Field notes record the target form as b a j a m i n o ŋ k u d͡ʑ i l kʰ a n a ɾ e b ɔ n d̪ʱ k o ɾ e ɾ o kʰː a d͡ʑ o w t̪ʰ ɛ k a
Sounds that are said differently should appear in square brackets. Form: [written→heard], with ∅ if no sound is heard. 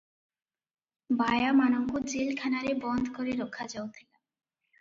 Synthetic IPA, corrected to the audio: b a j a m [i→a] n o ŋ k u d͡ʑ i l kʰ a n a ɾ e b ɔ n d̪ʱ k o ɾ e ɾ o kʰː a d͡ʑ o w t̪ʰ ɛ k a